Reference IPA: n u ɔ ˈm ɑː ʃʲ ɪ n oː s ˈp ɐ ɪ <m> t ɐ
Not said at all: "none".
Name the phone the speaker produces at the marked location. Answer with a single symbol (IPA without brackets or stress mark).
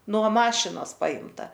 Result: m